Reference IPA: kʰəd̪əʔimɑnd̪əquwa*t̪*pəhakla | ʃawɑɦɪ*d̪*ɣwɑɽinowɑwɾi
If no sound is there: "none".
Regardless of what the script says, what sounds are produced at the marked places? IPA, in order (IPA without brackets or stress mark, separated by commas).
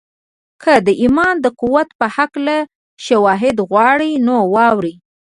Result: t̪, d̪